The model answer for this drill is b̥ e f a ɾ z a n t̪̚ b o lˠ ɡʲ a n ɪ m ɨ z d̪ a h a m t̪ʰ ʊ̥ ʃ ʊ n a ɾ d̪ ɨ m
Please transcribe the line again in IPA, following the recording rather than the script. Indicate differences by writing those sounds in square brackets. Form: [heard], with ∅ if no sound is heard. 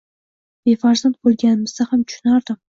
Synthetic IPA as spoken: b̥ e f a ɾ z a n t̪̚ b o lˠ ɡʲ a n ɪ m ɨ z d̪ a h a m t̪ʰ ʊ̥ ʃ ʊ n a ɾ d̪ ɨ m